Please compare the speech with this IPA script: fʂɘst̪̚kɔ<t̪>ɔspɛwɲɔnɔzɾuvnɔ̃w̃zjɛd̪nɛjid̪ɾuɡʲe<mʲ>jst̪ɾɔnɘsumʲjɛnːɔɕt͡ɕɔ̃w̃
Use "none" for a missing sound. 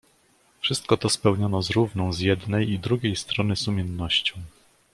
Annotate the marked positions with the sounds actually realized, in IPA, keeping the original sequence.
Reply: t̪, none

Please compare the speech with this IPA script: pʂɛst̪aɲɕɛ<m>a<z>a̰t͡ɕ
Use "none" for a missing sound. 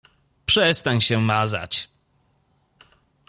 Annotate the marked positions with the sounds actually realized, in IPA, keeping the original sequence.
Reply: m, z

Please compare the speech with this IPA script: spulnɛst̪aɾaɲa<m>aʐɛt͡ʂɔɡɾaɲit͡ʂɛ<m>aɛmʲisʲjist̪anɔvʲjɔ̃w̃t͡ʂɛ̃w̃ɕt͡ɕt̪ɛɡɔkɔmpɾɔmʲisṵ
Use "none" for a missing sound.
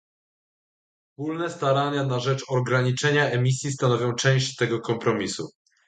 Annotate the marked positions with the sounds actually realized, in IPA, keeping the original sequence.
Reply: n, ɲ

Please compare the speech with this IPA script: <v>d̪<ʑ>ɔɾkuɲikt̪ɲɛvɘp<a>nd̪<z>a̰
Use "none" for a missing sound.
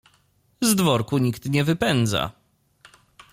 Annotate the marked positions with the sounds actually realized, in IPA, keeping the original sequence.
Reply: z, v, ɛ, z

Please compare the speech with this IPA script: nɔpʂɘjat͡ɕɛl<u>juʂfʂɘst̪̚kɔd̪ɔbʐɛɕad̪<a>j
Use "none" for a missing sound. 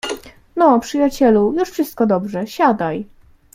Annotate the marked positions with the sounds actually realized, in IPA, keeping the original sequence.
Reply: u, a

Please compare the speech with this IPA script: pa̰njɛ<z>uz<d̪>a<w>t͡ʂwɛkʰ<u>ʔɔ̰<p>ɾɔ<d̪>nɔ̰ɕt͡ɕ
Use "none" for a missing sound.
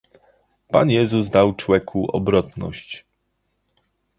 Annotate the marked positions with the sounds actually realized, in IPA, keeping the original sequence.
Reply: z, d̪, w, u, b, t̪

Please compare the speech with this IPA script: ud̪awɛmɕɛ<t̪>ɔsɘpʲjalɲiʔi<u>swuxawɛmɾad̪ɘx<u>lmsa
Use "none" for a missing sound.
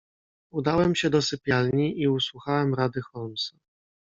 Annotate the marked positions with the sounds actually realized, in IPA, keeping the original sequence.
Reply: d̪, u, ɔ

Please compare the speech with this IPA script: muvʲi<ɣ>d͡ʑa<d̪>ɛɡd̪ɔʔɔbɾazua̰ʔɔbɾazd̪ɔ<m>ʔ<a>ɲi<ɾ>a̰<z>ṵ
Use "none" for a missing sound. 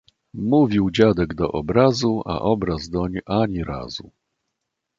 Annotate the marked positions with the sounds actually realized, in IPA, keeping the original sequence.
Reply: w, d̪, ɲ, a, ɾ, z

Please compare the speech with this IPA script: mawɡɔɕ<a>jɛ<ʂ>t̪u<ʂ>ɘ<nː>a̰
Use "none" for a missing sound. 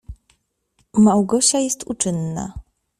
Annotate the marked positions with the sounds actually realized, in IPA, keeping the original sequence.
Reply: a, s, t͡ʂ, nː

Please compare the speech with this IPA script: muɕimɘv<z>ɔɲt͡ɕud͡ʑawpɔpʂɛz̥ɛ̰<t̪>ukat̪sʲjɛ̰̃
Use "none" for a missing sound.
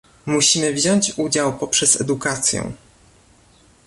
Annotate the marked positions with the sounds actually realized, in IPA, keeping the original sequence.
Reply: ʑ, d̪

